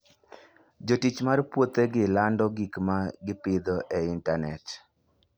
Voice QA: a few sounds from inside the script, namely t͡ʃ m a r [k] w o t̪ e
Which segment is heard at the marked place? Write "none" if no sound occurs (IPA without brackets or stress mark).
p